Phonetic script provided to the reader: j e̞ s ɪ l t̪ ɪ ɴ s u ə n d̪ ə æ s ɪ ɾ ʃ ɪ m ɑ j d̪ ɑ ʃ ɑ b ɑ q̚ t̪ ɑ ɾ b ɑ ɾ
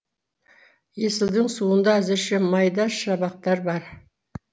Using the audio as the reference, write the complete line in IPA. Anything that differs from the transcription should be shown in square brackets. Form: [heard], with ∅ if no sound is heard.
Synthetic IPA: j e̞ s ɪ l [d̪] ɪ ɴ s u ə n d̪ [ɑ] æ [z] ɪ ɾ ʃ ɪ m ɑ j d̪ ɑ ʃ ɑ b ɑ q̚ t̪ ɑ ɾ b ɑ ɾ